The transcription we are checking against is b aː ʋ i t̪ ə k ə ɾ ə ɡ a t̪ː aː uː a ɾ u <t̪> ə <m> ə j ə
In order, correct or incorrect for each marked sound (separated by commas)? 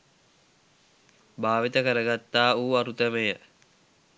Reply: correct, correct